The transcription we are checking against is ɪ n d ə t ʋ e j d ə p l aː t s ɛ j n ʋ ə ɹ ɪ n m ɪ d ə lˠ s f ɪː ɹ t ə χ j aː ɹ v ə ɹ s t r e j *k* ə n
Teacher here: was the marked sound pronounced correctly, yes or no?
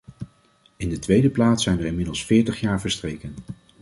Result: yes